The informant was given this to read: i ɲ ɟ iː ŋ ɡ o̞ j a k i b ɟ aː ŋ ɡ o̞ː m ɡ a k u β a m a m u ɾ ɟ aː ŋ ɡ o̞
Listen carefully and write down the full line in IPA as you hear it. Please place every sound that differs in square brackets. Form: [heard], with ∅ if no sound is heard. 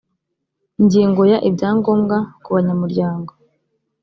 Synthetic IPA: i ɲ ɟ iː ŋ ɡ o̞ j a [ʔ] i b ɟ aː ŋ ɡ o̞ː m ɡ a k u β a [ɲ] a m u ɾ ɟ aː ŋ ɡ o̞